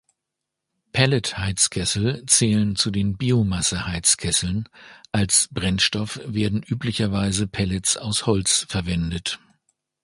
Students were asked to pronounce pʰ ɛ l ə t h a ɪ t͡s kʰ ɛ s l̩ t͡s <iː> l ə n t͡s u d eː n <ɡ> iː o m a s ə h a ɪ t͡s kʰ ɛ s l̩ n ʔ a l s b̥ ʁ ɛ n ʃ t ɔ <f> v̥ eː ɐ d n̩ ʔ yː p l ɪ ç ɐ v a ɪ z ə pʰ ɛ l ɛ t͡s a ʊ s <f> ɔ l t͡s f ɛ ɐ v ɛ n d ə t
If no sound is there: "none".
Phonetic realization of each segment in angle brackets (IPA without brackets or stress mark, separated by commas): ɛː, b, f, h